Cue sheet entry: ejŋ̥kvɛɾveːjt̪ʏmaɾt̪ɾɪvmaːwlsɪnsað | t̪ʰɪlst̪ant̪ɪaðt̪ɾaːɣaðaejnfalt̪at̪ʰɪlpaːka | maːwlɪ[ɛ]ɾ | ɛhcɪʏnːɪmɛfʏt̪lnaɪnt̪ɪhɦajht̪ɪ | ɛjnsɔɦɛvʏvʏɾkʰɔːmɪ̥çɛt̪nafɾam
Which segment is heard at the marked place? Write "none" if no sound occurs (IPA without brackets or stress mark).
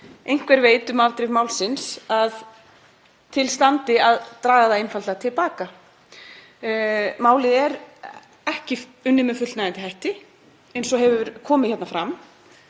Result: ɛ